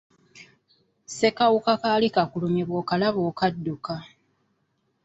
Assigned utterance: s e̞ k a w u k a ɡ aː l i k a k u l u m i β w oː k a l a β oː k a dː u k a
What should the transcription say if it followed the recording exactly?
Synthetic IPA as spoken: s e̞ k a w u k a k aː l i k a k u l u m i β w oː k a l a β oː k a dː u k a